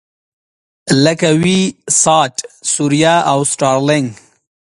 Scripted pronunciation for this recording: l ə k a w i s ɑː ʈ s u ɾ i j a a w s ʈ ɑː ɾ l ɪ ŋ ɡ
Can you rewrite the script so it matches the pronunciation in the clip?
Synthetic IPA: l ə k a w i s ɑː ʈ s u ɾ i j a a w s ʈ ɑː ɾ l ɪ ŋ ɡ